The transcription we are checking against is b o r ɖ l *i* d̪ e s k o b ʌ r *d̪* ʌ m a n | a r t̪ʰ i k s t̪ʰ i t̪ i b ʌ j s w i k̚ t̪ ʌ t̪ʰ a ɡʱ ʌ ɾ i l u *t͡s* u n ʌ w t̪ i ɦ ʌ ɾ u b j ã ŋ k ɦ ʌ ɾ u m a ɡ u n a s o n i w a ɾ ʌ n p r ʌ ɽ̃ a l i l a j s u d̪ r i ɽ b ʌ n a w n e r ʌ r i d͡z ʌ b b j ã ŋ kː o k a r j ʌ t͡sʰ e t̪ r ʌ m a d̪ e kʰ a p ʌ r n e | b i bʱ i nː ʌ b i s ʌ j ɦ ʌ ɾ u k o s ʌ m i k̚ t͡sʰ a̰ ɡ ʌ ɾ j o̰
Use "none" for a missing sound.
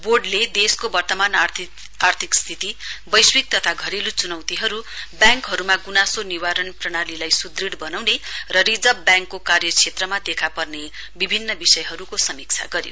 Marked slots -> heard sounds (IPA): e, t̪, t͡s

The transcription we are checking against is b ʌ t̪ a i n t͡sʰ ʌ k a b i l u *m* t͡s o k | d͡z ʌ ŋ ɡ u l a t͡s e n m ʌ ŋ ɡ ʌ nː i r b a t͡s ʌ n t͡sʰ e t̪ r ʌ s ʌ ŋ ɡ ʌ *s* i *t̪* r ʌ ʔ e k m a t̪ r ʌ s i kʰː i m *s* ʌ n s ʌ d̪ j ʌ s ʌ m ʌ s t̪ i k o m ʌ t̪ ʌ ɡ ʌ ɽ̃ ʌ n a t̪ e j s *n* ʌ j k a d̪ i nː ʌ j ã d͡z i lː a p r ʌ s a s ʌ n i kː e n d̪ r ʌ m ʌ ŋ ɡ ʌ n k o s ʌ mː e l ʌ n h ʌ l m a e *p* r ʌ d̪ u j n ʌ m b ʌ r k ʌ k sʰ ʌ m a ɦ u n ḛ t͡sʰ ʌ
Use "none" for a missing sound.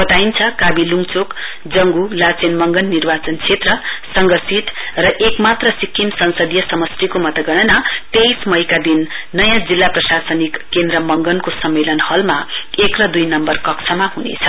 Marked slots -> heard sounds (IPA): ŋ, s, t̪, s, m, k

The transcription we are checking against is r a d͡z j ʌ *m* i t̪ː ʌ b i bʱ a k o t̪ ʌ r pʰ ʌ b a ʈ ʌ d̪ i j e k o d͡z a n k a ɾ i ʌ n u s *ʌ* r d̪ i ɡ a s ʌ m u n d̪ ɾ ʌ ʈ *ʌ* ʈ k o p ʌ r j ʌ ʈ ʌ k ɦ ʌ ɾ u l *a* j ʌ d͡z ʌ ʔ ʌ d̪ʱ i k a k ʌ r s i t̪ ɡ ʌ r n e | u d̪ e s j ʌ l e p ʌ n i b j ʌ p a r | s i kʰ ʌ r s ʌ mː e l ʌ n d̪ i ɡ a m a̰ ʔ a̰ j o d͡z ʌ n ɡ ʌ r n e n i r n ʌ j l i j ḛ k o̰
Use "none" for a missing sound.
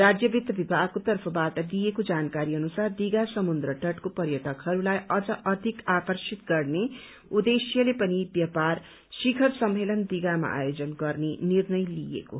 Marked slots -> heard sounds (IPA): b, a, ʌ, a

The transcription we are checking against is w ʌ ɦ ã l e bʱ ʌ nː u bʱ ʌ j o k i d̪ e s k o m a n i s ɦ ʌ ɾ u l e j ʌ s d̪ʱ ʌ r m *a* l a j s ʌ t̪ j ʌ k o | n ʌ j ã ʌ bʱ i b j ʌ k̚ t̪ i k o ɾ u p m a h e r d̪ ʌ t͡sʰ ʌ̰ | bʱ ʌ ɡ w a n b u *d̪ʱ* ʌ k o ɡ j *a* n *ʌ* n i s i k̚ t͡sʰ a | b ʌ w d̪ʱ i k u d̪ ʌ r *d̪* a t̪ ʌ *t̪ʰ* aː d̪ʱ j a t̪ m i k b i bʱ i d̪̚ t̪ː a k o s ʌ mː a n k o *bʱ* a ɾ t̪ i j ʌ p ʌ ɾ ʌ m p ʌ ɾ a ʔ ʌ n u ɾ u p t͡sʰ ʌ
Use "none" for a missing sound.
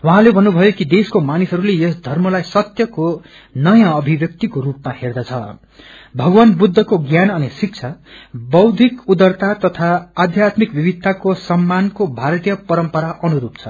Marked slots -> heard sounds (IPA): ʌ, d̪ʱː, a, ʌ, t̪, t̪ʰ, bʱ

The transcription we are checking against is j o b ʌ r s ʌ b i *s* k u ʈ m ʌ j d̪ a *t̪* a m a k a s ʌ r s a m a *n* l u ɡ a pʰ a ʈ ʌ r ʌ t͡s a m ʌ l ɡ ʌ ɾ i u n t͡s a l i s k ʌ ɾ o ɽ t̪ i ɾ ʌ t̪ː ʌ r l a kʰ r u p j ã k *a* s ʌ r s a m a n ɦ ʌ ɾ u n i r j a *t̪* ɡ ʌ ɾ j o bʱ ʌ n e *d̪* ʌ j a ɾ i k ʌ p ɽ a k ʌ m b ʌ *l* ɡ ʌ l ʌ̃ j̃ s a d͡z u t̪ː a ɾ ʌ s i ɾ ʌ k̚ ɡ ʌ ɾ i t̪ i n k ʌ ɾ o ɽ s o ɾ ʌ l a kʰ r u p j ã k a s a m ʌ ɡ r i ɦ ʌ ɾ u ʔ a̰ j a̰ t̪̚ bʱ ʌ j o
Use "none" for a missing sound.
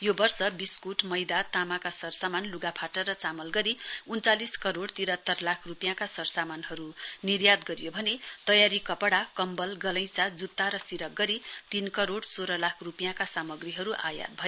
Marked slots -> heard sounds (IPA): s, t̪, n, a, d̪, t̪, l

